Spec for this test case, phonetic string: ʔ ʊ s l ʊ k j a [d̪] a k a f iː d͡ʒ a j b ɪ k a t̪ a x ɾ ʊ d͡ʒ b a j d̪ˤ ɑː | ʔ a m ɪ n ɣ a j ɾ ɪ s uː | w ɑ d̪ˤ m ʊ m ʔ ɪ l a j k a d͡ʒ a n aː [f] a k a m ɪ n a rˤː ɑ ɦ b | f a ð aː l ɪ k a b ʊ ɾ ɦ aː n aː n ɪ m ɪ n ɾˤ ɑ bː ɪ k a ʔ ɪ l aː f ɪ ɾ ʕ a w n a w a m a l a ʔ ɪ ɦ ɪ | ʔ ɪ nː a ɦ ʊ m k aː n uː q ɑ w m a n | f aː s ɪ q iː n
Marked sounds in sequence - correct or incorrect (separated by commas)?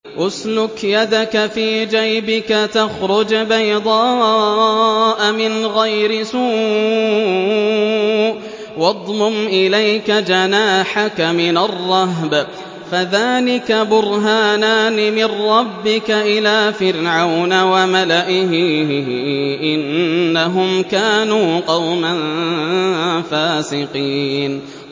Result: correct, incorrect